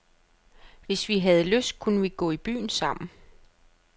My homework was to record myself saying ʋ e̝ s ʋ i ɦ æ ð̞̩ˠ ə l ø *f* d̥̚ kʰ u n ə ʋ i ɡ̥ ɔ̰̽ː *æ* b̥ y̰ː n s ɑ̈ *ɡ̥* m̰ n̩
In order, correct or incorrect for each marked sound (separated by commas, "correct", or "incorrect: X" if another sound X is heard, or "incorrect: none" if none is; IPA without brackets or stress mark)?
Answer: incorrect: s, incorrect: i, incorrect: none